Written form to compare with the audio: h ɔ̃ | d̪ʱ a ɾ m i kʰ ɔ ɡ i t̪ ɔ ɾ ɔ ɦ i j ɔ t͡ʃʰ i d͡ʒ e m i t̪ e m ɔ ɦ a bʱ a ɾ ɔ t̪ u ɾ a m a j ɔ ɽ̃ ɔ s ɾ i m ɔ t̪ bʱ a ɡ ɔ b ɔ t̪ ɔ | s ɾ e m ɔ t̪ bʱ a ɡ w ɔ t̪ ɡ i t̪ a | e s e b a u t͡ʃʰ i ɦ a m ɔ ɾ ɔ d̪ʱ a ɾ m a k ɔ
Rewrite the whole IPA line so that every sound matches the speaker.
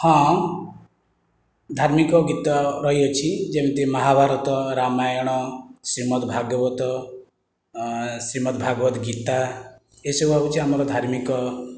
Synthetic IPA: h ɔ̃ | d̪ʱ a ɾ m i k ɔ ɡ i t̪ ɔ ɾ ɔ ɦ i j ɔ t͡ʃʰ i d͡ʒ e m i t̪ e m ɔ ɦ a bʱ a ɾ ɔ t̪ ɔ ɾ a m a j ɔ ɽ̃ ɔ s ɾ i m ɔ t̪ bʱ a ɡ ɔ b ɔ t̪ ɔ | s ɾ i m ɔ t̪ bʱ a ɡ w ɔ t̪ ɡ i t̪ a | e s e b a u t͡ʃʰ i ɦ a m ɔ ɾ ɔ d̪ʱ a ɾ m i k ɔ